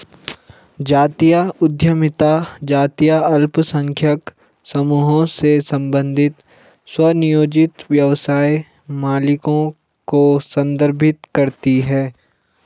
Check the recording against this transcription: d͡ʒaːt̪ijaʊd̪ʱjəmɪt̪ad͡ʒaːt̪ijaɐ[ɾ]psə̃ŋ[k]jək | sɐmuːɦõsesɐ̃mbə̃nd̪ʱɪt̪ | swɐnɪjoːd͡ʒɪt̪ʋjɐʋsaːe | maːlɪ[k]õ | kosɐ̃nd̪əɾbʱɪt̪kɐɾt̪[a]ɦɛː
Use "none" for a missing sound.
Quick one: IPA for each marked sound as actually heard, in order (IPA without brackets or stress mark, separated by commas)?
l, kʰ, k, i